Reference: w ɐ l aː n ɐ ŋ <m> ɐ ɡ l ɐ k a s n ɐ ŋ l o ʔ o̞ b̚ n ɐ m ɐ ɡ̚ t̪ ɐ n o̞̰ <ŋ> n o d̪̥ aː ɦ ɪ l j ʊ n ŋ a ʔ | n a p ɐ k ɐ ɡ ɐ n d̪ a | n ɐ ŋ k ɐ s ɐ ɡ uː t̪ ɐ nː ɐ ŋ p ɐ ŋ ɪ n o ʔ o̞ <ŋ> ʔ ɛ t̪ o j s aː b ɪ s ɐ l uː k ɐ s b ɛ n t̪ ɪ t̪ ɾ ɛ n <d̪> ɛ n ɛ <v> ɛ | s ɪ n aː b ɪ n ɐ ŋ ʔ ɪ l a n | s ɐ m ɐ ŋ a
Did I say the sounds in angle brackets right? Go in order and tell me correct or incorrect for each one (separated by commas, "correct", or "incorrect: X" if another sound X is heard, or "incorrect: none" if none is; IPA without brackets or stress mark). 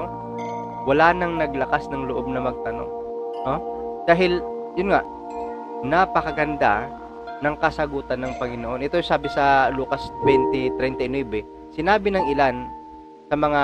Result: incorrect: n, correct, incorrect: n, incorrect: t̪, incorrect: b